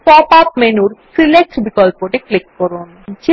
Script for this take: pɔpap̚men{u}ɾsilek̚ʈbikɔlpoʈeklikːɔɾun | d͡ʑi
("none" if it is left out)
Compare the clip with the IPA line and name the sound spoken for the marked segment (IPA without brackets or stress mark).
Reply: u